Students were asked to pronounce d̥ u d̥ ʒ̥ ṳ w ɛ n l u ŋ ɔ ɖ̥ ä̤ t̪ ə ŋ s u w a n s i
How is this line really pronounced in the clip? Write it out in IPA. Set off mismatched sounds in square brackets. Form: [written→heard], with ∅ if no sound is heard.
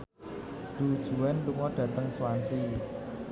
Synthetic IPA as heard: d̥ u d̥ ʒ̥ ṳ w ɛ n l u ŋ ɔ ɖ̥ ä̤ t̪ ə ŋ s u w a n s i